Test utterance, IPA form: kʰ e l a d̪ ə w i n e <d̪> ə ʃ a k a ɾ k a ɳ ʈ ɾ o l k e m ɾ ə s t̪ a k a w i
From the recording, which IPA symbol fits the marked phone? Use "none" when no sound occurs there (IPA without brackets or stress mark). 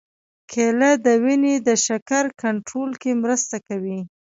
d̪